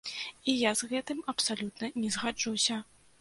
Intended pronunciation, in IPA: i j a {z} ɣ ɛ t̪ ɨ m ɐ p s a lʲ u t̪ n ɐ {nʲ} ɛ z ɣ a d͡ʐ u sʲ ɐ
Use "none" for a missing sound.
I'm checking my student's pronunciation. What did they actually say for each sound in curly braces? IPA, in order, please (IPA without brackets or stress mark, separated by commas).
z, nʲ